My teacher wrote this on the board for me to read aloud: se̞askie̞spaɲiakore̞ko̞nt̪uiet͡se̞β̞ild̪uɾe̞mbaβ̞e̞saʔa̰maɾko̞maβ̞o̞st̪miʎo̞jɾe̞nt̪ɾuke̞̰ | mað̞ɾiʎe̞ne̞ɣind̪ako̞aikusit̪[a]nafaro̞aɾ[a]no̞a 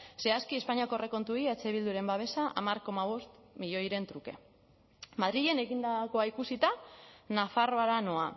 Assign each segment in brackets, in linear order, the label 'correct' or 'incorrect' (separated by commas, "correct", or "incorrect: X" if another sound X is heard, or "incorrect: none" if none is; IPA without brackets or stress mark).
correct, correct